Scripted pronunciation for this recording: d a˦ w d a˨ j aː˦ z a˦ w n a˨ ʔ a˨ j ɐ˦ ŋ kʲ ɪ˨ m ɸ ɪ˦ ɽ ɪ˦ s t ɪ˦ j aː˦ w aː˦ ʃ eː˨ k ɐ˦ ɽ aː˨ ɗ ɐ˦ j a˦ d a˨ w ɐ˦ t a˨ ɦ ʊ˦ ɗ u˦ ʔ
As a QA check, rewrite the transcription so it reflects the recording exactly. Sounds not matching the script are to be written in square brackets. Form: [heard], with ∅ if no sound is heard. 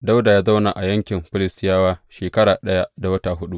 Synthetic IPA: d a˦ w d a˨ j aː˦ z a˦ w n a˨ ʔ a˨ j ɐ˦ ŋ kʲ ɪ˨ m ɸ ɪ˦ [l] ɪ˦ s t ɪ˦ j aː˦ w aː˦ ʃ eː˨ k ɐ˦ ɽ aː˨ ɗ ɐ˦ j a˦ d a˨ w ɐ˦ t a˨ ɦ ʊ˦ ɗ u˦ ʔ